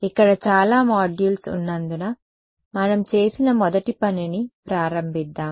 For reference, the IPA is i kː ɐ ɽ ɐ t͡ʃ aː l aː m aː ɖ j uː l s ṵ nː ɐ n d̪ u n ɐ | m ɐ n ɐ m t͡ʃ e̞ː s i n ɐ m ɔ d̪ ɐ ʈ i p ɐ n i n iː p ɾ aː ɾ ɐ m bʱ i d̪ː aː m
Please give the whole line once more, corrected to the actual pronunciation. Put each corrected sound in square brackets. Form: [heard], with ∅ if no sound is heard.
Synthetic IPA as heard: i kː ɐ ɽ ɐ t͡ʃ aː l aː m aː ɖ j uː l s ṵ nː ɐ n d̪ u n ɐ | m ɐ n ɐ m t͡ʃ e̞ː s i n ɐ m ɔ d̪ ɐ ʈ i p ɐ n i n [i] p ɾ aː ɾ ɐ m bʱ i d̪ː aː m